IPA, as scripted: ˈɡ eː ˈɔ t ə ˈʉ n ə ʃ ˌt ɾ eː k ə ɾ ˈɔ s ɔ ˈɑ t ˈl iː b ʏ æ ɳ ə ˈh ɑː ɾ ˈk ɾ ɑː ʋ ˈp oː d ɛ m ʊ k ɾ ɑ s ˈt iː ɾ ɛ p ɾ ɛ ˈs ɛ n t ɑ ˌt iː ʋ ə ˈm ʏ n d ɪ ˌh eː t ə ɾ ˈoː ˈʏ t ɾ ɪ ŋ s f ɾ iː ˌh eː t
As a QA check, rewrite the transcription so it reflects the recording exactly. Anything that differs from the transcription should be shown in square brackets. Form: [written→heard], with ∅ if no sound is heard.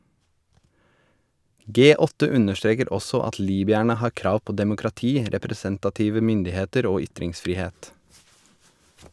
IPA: ˈɡ eː ˈɔ t ə ˈʉ n ə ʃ ˌt ɾ eː k ə ɾ ˈɔ s ɔ ˈɑ t ˈl iː b ʏ æ ɳ ə ˈh ɑː ɾ ˈk ɾ ɑː ʋ ˈp oː d ɛ m ʊ k ɾ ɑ [s→∅] ˈt iː ɾ ɛ p ɾ ɛ ˈs ɛ n t ɑ ˌt iː ʋ ə ˈm ʏ n d ɪ ˌh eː t ə ɾ ˈoː ˈʏ t ɾ ɪ ŋ s f ɾ iː ˌh eː t